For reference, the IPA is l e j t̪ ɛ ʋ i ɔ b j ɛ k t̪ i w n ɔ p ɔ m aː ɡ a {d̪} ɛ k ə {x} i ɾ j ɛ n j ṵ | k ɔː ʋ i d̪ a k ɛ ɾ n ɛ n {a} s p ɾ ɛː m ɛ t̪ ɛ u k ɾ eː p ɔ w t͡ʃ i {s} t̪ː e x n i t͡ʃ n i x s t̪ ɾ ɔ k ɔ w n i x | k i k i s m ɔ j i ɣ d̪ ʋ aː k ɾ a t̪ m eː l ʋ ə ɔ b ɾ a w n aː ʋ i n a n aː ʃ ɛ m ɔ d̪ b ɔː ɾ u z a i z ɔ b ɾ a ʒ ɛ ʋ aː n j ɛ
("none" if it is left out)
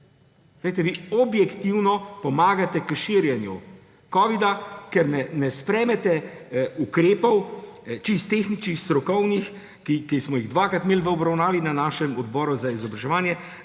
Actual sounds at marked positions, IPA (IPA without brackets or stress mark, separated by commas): t̪, ʃ, ɛ, s